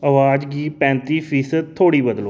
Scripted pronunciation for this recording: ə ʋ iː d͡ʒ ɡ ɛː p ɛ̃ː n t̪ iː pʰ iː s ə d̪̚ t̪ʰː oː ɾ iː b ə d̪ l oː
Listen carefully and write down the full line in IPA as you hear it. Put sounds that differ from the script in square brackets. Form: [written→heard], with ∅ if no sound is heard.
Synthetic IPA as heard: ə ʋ [iː→aː] d͡ʒ ɡ [ɛː→iː] p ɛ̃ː n t̪ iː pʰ iː s ə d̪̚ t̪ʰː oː [ɾ→ɽ] iː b ə d̪ l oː